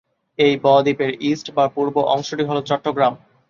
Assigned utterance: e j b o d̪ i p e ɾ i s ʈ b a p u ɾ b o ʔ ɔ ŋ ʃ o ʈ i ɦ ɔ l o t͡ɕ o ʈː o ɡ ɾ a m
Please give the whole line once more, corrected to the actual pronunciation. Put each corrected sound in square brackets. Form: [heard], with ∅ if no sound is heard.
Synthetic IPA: e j b [ɔ] d̪ i p e ɾ i s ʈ b a p u ɾ b o ʔ ɔ ŋ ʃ o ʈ i ɦ ɔ l o t͡ɕ [ɔ] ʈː o ɡ ɾ a m